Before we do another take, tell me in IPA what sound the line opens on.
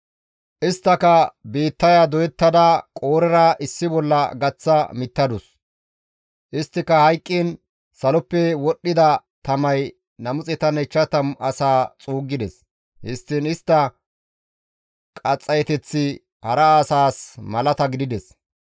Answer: ʔ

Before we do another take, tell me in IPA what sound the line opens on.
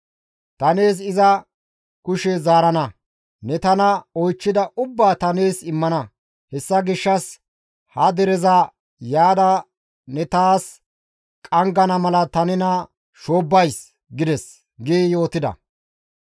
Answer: t̪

